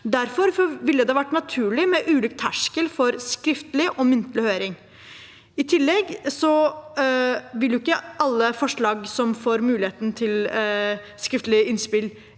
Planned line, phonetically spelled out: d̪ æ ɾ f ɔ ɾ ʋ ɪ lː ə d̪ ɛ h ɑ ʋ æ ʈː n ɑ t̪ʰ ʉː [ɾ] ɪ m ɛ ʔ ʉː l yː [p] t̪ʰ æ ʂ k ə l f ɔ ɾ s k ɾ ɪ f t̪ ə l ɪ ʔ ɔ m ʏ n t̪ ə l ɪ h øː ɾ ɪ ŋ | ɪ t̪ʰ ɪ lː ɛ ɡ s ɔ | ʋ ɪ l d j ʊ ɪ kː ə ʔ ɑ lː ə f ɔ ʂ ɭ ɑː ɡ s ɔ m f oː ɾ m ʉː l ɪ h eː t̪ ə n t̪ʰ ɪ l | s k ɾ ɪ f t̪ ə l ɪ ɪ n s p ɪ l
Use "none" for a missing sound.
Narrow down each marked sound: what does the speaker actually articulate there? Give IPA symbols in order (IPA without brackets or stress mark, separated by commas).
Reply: ɭ, k